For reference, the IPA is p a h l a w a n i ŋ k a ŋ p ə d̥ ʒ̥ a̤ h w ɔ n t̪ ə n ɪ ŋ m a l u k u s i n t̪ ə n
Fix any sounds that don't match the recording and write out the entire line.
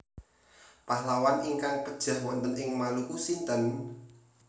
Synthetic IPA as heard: p a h l a w a n i ŋ k a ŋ p ə d̥ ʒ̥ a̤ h w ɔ n t̪ ə n ɪ ŋ m a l u k u s i n t̪ ə n